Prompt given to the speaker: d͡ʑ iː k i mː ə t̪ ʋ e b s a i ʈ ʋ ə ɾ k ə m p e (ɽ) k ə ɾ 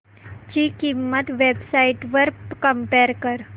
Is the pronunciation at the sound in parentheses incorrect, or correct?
incorrect